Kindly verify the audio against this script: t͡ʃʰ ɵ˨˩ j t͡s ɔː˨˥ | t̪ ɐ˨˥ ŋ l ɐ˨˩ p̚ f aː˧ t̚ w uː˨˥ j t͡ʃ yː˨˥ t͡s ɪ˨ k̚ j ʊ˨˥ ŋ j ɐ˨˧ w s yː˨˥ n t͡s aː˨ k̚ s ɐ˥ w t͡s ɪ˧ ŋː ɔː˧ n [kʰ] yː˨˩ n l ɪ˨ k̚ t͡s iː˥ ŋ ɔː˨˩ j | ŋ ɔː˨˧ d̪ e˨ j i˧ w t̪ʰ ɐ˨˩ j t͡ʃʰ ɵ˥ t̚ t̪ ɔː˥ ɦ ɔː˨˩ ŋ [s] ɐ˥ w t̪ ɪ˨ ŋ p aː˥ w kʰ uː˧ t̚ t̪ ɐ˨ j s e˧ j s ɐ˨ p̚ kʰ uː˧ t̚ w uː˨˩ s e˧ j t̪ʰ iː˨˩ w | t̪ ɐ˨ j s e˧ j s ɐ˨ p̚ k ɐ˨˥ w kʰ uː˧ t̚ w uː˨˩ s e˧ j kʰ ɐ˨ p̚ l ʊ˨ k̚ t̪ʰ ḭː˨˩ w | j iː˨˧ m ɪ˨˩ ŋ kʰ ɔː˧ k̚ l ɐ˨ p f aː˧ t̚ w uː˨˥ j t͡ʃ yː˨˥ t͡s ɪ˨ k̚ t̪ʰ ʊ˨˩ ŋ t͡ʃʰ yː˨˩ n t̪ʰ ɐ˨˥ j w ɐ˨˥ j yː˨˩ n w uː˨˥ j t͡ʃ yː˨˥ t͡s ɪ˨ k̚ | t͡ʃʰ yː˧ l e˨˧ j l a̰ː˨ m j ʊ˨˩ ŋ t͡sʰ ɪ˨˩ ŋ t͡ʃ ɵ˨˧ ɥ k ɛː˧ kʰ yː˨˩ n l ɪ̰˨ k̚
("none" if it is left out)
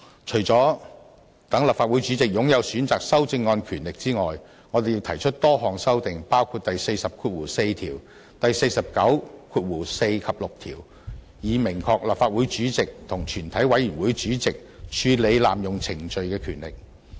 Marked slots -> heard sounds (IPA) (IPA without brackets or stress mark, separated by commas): kʰ, s